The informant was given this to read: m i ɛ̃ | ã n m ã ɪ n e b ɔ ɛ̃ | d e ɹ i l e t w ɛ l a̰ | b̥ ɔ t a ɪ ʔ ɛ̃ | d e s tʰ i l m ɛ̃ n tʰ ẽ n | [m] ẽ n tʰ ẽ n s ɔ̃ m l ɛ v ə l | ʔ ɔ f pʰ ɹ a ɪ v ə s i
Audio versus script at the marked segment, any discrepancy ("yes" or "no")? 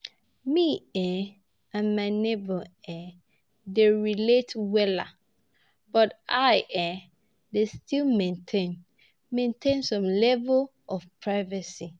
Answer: no